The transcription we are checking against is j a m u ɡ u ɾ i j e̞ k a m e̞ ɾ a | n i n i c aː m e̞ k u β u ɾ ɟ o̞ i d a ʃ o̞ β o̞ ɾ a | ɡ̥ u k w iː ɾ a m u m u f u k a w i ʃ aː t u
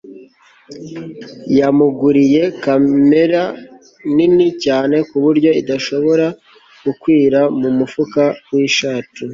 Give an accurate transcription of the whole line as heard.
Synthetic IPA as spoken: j a m u ɡ u ɾ i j e̞ k a m e̞ ɾ a | n i n i c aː n e̞ k u β u ɾ ɟ o̞ i d a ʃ o̞ β o̞ ɾ a | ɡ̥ u k w iː ɾ a m u m u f u k a w i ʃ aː t u